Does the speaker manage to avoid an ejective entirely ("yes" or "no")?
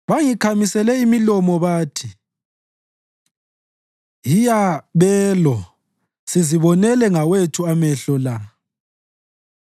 yes